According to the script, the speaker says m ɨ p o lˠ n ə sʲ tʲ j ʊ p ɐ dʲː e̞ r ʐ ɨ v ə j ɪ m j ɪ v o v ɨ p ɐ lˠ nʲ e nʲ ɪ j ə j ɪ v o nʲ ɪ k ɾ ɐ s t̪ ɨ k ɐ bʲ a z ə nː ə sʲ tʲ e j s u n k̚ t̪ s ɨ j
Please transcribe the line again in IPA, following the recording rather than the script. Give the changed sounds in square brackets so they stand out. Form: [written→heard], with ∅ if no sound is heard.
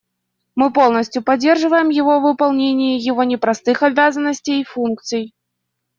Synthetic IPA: m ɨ p o lˠ n ə sʲ tʲ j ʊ p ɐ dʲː e̞ r ʐ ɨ v ə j ɪ m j ɪ v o v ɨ p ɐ lˠ nʲ e nʲ ɪ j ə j ɪ v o nʲ ɪ [k→p] ɾ ɐ s t̪ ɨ [k→x] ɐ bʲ a z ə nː ə sʲ tʲ e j [s→f] u n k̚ t̪ s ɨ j